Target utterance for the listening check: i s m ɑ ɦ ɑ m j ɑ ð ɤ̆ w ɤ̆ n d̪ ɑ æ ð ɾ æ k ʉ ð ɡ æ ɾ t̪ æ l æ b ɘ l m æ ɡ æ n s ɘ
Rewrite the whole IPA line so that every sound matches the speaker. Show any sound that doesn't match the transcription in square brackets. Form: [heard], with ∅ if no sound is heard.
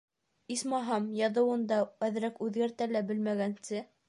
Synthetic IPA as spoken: i s m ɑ ɦ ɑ m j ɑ ð ɤ̆ w ɤ̆ n d̪ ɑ æ ð ɾ æ k ʉ ð ɡ æ ɾ t̪ æ l æ b ɘ l m æ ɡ æ n s ɘ

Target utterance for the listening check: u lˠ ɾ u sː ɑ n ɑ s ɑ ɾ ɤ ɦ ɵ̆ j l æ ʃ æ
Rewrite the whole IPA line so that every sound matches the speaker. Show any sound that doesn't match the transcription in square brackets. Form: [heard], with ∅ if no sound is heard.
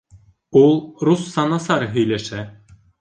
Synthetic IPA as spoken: u lˠ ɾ u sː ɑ n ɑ s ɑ ɾ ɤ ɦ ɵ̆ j l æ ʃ æ

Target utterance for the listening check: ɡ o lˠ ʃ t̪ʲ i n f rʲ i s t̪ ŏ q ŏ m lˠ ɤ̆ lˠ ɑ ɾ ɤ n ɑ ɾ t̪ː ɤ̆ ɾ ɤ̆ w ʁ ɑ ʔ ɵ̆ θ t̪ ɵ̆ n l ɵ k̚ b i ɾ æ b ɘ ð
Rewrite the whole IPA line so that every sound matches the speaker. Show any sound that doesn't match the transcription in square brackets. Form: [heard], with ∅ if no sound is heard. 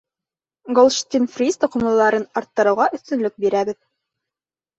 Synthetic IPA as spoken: ɡ o lˠ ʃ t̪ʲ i n f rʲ i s t̪ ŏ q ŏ m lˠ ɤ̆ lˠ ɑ ɾ ɤ n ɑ ɾ t̪ː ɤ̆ ɾ ɤ̆ w ʁ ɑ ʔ ɵ̆ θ t̪ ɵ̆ n l ɵ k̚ b i ɾ æ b ɘ ð

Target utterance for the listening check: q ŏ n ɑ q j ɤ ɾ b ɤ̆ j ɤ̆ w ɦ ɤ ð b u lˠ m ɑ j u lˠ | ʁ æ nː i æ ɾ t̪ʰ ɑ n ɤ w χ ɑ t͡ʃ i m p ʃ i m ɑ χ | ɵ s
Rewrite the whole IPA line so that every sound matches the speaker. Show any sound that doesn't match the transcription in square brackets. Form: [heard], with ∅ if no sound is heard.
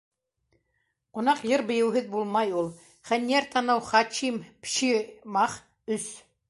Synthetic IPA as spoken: q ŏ n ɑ q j ɤ ɾ b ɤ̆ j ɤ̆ w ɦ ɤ ð b u lˠ m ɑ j u lˠ | [χ] æ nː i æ ɾ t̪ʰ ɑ n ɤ w χ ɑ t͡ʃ i m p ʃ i m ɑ χ | ɵ s

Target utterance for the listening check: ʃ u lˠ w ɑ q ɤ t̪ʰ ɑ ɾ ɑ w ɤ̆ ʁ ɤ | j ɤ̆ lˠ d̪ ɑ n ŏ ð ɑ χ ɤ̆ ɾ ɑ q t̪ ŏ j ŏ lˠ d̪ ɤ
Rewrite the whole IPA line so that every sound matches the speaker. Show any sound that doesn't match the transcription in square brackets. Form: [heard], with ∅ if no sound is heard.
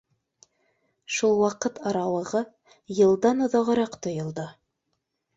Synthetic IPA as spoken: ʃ u lˠ w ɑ q ɤ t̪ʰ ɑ ɾ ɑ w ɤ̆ ʁ ɤ | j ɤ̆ lˠ d̪ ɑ n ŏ ð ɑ [ʁ] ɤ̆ ɾ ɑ q t̪ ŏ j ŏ lˠ d̪ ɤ

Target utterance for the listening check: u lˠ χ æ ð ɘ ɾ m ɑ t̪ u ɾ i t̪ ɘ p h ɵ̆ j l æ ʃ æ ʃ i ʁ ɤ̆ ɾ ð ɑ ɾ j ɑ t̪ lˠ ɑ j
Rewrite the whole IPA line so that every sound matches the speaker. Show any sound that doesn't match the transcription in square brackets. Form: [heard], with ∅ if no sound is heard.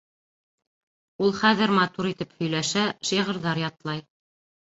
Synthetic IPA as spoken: u lˠ χ æ ð ɘ ɾ m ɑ t̪ u ɾ i t̪ ɘ p h ɵ̆ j l æ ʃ æ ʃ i ʁ ɤ̆ ɾ ð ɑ ɾ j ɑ t̪ lˠ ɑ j

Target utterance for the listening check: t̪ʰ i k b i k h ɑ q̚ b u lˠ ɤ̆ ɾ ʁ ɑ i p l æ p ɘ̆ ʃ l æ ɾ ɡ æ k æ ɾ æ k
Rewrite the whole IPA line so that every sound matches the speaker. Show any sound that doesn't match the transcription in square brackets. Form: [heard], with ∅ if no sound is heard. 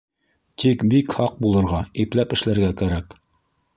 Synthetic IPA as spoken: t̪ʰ i k b i k h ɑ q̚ b u lˠ ɤ̆ ɾ ʁ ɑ i p l æ p ɘ̆ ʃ l æ ɾ ɡ æ k æ ɾ æ k

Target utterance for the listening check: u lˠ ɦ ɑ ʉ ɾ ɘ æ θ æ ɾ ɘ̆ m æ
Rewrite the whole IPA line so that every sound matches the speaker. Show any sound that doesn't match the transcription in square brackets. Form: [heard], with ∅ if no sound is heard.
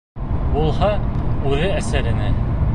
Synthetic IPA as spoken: u lˠ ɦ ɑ ʉ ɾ ɘ æ [s] æ ɾ ɘ̆ [n] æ

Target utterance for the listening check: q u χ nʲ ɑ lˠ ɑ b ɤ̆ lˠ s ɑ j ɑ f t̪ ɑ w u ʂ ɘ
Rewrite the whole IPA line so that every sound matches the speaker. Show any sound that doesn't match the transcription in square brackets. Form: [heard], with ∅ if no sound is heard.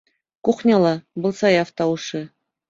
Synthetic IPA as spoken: [k] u χ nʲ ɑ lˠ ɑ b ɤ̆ lˠ s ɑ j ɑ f t̪ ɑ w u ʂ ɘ

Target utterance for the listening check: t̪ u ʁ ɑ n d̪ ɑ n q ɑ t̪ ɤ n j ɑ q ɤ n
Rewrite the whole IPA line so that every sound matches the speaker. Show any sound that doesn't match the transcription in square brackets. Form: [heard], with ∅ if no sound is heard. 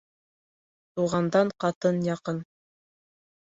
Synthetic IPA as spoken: t̪ u ʁ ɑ n d̪ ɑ [ɴ] q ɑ t̪ ɤ n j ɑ q ɤ n

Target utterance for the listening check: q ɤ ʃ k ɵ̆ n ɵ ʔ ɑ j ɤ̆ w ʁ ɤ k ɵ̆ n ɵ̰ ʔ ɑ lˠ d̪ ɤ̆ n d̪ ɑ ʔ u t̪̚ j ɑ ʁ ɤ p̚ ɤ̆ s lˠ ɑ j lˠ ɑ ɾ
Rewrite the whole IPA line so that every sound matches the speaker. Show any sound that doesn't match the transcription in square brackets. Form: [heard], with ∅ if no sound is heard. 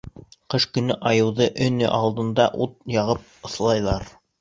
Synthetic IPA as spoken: q ɤ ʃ k ɵ̆ n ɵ ʔ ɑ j ɤ̆ w [ð] ɤ [ʔ] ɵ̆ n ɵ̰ ʔ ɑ lˠ d̪ ɤ̆ n d̪ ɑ ʔ u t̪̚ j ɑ ʁ ɤ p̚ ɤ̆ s lˠ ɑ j lˠ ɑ ɾ

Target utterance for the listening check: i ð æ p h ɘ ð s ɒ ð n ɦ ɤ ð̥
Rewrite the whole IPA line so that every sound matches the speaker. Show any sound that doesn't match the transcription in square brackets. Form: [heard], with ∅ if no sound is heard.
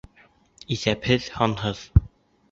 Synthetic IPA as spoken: i [θ] æ p h ɘ ð [h] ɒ [∅] n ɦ ɤ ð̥

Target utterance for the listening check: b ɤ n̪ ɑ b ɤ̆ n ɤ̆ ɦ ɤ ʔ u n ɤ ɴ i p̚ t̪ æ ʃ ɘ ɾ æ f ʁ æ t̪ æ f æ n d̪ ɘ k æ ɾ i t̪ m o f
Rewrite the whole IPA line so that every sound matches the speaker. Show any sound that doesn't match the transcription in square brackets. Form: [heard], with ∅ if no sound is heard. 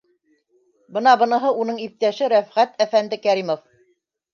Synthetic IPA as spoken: b ɤ n̪ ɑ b ɤ̆ n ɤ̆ ɦ ɤ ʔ u n ɤ ɴ i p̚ t̪ æ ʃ ɘ ɾ æ f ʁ æ t̪ æ f æ n d̪ ɘ k æ ɾ i [∅] m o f

